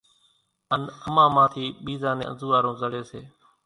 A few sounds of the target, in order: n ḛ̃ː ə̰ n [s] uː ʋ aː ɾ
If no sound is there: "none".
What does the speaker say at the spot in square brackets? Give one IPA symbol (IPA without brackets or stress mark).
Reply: z